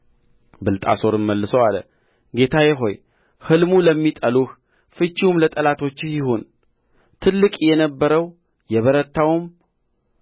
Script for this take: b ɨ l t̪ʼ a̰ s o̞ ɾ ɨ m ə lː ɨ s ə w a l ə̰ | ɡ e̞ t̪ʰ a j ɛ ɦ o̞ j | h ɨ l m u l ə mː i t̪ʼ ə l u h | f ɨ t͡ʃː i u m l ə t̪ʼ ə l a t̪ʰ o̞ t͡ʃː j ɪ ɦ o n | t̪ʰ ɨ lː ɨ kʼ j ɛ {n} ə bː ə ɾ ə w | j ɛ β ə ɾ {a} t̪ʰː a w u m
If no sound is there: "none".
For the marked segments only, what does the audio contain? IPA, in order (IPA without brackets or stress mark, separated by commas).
n, ə